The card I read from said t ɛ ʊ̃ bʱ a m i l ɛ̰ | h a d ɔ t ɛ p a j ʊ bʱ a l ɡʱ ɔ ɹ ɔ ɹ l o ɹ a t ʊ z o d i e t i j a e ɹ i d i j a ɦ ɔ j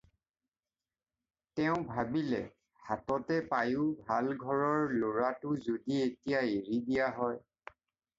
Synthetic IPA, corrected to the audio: t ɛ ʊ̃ bʱ a b i l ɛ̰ | h a t ɔ t ɛ p a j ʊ bʱ a l ɡʱ ɔ ɹ ɔ ɹ l o ɹ a t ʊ z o d i e t i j a e ɹ i d i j a ɦ ɔ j

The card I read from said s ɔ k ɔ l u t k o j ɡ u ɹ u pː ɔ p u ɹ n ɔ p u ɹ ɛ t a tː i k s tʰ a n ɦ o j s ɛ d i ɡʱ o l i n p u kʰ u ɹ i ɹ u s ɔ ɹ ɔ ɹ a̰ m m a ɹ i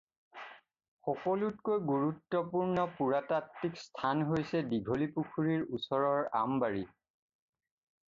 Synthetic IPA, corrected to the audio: x ɔ k ɔ l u t k o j ɡ u ɹ u tː ɔ p u ɹ n ɔ p u ɹ a t a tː i k s tʰ a n ɦ o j s ɛ d i ɡʱ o l i p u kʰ u ɹ i ɹ u s ɔ ɹ ɔ ɹ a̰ m b a ɹ i

